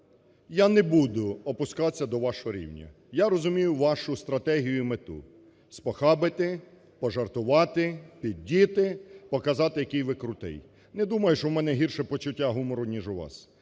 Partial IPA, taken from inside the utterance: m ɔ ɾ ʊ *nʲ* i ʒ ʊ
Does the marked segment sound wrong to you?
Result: no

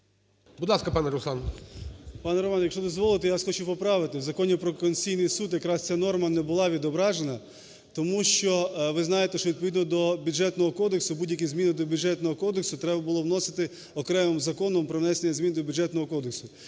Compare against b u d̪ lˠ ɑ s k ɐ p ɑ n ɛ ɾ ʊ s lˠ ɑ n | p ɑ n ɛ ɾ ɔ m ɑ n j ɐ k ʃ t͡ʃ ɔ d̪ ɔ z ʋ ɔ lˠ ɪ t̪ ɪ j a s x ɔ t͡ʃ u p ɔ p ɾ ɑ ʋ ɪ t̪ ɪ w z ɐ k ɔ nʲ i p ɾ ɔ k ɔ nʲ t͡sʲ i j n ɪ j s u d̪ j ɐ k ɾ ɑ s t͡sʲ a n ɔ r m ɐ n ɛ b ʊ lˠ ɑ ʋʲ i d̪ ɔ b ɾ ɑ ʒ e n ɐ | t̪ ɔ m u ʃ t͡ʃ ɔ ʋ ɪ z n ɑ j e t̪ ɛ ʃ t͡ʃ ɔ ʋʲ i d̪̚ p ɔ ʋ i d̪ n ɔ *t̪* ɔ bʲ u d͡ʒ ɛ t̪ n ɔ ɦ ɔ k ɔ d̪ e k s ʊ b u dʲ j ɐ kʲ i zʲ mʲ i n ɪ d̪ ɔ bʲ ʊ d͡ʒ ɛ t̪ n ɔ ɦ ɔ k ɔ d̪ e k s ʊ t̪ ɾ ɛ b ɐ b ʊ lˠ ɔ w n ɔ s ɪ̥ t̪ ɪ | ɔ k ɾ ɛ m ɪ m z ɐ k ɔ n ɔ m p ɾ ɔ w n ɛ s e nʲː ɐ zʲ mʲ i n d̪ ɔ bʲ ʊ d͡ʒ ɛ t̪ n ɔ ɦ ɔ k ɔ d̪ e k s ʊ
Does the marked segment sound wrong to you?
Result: yes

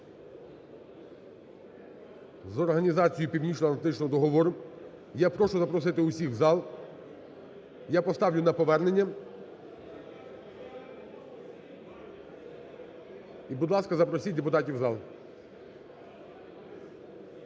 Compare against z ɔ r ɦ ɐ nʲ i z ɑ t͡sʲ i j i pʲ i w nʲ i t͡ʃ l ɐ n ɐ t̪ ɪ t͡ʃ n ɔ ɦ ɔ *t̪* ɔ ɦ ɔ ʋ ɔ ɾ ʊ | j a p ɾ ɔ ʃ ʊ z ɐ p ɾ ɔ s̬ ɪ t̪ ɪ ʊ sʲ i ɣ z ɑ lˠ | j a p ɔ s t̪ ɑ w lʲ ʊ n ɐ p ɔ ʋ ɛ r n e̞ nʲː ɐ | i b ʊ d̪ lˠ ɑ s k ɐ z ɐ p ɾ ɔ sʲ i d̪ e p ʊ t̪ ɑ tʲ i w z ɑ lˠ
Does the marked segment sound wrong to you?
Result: yes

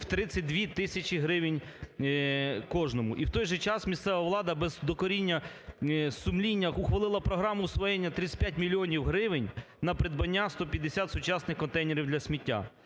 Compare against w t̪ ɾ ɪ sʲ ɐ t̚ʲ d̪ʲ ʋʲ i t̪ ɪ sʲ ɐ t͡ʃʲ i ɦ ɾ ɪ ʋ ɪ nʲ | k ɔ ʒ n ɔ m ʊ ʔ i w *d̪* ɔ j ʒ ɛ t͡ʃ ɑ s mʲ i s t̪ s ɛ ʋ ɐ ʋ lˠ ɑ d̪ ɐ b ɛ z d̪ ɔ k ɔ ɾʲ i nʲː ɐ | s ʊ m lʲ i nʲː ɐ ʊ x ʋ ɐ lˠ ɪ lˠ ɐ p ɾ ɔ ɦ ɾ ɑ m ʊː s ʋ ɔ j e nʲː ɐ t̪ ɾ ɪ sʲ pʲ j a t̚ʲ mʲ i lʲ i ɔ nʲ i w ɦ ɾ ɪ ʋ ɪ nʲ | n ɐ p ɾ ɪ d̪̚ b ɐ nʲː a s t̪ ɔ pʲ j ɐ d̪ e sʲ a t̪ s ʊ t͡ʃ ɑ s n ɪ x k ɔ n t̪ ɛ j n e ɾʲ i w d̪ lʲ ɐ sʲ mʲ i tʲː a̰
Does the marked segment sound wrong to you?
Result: yes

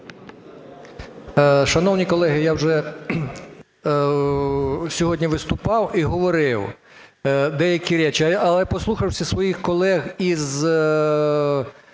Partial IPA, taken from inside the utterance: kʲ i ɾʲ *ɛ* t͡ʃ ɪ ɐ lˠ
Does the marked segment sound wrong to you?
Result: no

